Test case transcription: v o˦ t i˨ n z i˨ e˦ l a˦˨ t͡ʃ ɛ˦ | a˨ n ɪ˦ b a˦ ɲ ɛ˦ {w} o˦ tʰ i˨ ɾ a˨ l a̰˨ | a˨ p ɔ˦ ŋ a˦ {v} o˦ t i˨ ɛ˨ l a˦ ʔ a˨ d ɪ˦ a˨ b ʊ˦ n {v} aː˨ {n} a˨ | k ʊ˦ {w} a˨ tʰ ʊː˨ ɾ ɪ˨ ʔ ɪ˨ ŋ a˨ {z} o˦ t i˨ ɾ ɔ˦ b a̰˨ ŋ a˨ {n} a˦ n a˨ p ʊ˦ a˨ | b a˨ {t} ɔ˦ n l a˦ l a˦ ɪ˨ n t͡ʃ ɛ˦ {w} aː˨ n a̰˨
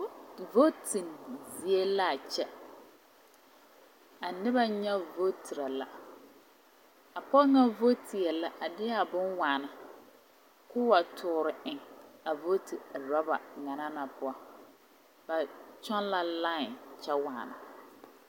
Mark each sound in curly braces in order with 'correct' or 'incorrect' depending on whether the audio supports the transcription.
incorrect, correct, incorrect, correct, correct, incorrect, correct, incorrect, correct

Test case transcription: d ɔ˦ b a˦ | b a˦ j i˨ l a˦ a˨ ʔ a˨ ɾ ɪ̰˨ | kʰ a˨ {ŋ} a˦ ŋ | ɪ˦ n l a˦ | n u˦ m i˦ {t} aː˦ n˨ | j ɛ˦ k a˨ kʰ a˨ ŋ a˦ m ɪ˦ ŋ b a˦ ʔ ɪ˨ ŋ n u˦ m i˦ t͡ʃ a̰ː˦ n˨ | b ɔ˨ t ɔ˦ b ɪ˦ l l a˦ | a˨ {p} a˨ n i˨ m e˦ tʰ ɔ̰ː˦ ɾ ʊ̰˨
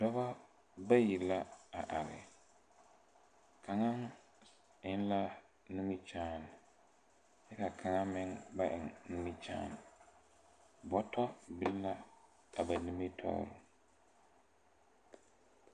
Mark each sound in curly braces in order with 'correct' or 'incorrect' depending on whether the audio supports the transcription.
correct, incorrect, incorrect

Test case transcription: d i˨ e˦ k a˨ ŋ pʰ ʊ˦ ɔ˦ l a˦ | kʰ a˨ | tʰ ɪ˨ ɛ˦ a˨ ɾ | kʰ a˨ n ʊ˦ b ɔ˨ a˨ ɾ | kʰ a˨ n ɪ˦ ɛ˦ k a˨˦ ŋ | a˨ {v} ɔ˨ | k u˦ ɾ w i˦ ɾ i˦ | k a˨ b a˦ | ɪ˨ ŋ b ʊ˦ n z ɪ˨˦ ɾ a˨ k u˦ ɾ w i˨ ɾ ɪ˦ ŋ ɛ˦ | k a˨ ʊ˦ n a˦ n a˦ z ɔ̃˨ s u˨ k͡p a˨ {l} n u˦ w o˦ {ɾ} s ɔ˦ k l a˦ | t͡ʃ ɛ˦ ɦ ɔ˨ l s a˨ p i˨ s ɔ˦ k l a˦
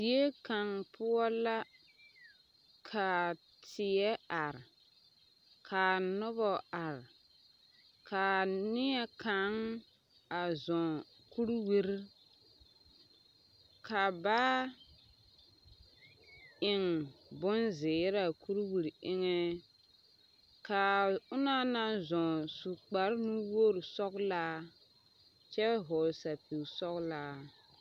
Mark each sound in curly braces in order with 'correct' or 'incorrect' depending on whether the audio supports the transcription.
incorrect, incorrect, correct

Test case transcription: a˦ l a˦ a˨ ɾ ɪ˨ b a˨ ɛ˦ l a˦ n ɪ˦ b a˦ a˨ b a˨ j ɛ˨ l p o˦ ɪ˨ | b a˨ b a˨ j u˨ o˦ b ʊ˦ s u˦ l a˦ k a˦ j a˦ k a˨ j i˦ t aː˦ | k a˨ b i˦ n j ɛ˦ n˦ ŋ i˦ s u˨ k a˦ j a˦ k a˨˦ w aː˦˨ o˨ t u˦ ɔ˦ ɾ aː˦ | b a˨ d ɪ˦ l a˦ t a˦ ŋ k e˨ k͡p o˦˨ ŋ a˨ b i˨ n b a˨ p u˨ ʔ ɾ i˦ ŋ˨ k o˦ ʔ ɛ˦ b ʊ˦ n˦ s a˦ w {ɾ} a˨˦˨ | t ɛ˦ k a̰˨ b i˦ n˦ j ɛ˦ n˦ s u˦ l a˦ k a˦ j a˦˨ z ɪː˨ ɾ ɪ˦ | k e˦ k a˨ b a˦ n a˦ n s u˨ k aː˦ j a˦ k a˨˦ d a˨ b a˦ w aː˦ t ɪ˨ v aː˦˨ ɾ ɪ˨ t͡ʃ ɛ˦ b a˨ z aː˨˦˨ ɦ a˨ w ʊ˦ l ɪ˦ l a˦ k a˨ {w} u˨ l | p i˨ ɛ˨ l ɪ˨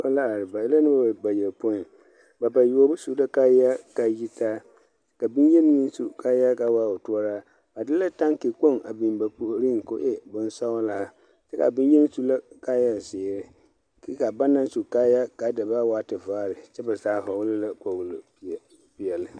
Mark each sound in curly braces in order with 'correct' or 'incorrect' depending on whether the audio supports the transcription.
incorrect, correct

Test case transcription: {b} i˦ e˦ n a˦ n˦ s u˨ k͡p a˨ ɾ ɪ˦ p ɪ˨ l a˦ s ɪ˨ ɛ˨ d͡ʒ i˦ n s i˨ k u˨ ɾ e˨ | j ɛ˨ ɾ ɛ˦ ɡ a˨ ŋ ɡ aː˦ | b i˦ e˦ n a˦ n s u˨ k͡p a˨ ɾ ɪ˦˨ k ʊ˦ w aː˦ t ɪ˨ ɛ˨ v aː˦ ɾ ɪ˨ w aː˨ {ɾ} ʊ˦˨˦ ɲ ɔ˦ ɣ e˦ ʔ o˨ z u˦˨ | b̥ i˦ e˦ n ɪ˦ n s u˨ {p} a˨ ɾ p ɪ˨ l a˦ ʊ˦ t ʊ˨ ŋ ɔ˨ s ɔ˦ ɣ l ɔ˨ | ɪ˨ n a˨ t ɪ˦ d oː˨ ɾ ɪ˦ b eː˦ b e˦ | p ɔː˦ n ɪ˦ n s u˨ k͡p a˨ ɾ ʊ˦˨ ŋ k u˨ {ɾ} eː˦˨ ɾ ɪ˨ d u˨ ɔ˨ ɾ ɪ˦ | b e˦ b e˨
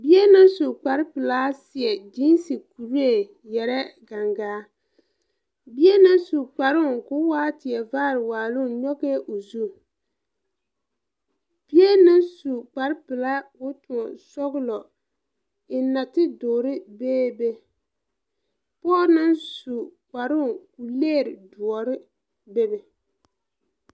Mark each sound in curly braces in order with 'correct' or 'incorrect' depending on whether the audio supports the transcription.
correct, incorrect, incorrect, incorrect

